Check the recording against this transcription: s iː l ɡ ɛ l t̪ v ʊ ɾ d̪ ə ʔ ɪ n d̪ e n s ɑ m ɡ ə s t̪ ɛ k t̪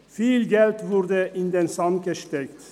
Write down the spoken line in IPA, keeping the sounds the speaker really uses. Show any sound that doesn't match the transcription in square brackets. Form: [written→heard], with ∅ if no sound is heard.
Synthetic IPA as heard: [s→f] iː l ɡ ɛ l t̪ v ʊ ɾ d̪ ə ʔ ɪ n d̪ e n s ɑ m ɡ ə [s→ʃ] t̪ ɛ k t̪